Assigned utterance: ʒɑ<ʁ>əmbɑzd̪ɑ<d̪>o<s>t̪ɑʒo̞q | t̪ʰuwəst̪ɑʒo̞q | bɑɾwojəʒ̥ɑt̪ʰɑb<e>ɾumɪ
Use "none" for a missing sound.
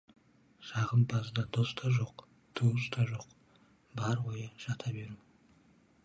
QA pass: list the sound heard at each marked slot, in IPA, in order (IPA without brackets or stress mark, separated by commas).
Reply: ʁ, d̪, s, e